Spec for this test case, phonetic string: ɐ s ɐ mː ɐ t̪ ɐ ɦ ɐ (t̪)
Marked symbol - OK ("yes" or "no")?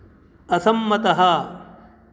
no